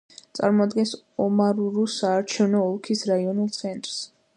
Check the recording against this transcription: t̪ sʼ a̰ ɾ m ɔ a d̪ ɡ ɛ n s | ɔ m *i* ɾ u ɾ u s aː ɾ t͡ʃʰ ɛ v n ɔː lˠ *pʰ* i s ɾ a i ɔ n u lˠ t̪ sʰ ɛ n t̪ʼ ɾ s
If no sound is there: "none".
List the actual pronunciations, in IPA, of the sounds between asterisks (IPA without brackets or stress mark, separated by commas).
a, kʰ